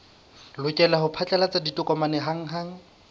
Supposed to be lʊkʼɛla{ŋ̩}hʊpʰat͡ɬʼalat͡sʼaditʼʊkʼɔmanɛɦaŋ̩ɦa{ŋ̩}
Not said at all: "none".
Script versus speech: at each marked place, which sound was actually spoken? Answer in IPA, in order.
none, ŋ̩

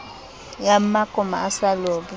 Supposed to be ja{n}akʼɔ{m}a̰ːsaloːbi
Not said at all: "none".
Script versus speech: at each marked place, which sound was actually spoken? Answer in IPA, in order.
m, m

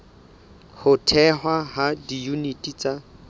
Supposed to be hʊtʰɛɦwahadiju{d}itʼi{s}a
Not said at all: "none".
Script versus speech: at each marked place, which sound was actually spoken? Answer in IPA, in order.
n, t͡s

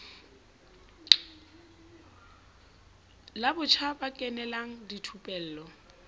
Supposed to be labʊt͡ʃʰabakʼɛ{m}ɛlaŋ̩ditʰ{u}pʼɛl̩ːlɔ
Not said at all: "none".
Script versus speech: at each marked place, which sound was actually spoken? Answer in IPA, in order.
n, u

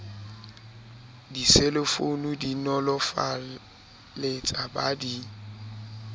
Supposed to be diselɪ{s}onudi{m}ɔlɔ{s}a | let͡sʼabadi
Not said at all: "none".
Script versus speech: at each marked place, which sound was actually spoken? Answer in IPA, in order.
f, n, f

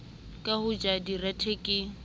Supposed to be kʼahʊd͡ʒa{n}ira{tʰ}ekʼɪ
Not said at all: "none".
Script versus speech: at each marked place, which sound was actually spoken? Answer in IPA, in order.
d, tʰ

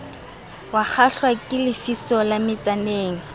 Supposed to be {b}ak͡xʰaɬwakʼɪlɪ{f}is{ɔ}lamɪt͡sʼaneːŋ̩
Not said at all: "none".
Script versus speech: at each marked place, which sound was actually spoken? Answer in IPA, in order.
w, f, ɔ

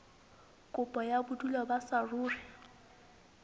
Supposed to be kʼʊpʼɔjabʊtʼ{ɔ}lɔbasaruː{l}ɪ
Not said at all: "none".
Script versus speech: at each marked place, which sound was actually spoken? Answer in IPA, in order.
u, r

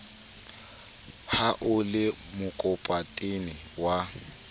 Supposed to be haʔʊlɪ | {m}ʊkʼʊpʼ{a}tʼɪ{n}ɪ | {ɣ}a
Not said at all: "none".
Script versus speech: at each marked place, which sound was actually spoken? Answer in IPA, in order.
m, a, n, w

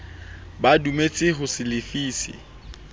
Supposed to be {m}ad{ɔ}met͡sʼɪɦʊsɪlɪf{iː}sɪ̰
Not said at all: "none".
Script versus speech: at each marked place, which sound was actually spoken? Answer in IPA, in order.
b, u, iː

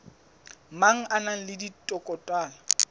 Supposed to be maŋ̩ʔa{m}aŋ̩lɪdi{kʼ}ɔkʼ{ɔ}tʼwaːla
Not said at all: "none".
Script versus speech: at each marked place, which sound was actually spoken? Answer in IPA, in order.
n, tʼ, ɔ

